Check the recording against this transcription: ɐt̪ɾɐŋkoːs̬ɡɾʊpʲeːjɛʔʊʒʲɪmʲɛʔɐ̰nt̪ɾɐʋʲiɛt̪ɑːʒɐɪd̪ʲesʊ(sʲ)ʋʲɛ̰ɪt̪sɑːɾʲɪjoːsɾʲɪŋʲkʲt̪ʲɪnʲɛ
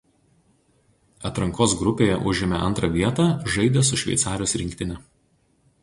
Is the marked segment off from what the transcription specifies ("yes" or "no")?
yes